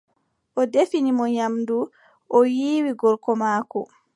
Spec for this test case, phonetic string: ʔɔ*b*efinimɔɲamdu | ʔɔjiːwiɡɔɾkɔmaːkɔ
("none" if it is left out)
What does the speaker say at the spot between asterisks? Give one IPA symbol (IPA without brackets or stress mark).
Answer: d